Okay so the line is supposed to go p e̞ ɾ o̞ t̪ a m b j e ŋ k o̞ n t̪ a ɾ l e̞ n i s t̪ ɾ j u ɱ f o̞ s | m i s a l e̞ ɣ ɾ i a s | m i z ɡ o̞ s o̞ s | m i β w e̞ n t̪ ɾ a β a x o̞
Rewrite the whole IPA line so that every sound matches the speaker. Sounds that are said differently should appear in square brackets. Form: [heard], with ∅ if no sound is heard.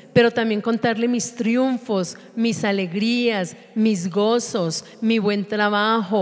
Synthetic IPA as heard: p e̞ ɾ o̞ t̪ a m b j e ŋ k o̞ n t̪ a ɾ l e̞ [m] i s t̪ ɾ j u ɱ f o̞ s | m i s a l e̞ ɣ ɾ i a s | m i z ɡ o̞ s o̞ s | m i β w e̞ n t̪ ɾ a β a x o̞